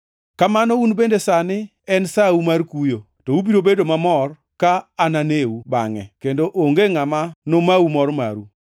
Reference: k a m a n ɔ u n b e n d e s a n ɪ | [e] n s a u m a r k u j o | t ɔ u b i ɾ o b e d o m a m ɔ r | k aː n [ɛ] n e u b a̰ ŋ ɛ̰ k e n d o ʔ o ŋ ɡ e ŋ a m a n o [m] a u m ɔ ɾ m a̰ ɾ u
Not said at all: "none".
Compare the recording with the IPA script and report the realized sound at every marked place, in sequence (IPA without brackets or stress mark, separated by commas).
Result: ɛ, a, m